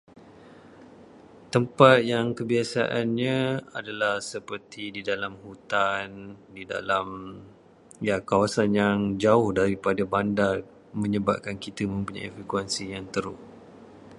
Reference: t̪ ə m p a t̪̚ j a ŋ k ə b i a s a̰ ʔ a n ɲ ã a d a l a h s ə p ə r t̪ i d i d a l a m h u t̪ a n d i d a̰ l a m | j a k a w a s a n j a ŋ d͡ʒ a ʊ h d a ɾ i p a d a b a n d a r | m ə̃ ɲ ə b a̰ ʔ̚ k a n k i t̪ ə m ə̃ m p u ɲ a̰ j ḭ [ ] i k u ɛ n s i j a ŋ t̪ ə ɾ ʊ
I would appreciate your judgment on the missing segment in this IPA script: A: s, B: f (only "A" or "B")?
B